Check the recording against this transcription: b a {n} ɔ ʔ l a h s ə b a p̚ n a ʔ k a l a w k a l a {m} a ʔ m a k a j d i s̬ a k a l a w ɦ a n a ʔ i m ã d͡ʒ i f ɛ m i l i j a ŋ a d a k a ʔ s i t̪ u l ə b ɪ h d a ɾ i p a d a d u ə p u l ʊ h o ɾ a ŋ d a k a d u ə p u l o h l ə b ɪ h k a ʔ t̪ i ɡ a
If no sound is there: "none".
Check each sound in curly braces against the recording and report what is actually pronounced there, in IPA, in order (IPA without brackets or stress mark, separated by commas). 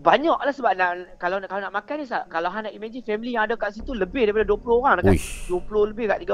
ɲ, n